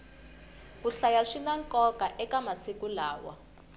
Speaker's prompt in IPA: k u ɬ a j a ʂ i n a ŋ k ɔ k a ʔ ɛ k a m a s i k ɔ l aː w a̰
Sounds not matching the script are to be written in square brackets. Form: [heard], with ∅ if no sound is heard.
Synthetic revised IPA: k u ɬ a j a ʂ i n a ŋ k ɔ k a ʔ ɛ k a m a s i k [u] l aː w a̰